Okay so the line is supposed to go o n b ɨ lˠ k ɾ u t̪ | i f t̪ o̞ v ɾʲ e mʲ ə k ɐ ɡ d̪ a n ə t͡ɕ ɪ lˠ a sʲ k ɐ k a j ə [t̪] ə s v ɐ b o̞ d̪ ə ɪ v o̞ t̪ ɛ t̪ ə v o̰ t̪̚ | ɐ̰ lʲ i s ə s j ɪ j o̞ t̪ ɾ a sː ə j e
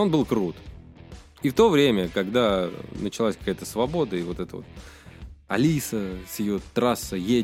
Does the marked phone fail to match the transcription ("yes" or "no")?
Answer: no